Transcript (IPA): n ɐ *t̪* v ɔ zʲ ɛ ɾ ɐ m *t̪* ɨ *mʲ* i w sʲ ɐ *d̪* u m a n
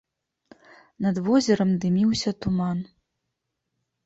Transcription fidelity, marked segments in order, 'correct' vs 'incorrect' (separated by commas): incorrect, incorrect, correct, incorrect